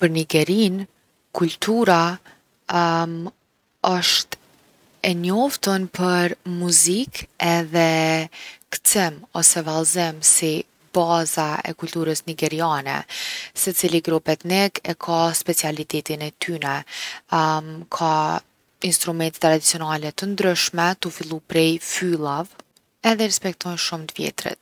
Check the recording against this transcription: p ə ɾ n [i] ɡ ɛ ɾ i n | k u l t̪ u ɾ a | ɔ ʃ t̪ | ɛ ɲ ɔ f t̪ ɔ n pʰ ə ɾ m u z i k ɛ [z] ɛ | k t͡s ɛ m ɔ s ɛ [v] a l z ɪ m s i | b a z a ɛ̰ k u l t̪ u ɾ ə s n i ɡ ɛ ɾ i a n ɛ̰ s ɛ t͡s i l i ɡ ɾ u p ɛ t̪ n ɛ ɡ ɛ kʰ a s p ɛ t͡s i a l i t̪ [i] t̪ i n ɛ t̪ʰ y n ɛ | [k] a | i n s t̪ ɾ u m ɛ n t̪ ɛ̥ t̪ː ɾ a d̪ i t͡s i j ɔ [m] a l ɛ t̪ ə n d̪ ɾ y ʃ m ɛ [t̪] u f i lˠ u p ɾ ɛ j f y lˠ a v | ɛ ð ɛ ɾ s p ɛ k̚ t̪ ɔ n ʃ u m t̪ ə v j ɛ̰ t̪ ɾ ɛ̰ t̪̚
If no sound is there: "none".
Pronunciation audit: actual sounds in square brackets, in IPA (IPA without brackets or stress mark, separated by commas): i, ð, v, ɛ, kʰ, n, t̪